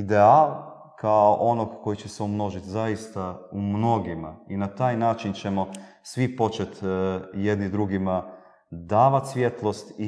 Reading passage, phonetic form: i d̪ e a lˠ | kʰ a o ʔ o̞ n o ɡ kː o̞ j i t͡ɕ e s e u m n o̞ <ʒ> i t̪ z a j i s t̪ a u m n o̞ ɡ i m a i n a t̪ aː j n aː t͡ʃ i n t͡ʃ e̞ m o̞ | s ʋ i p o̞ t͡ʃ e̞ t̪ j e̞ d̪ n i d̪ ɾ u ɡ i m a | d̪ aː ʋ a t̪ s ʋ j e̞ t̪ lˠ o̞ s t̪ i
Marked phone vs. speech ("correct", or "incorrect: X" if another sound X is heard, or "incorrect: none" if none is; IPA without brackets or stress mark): correct